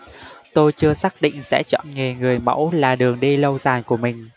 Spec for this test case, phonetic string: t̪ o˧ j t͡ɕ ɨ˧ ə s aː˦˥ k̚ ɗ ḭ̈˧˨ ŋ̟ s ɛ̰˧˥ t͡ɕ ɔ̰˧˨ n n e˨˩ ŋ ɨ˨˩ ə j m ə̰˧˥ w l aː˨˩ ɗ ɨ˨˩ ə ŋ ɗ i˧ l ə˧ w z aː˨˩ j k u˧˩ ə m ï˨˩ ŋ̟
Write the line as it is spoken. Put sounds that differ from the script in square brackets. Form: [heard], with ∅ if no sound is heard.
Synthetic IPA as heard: t̪ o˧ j t͡ɕ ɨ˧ ə s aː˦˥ k̚ ɗ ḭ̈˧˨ ŋ̟ s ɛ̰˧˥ t͡ɕ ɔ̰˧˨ n [ŋ] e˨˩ ŋ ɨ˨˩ ə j m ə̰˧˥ w l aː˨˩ ɗ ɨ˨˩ ə ŋ ɗ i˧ l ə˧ w z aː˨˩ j k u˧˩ ə m ï˨˩ ŋ̟